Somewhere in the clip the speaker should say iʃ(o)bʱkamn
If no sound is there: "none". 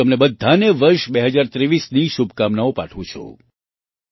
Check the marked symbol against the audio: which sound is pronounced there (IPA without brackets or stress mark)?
u